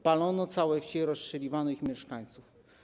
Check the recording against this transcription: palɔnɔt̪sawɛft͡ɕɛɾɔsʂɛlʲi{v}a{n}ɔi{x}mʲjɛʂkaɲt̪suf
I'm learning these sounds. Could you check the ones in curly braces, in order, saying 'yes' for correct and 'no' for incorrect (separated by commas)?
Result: yes, yes, yes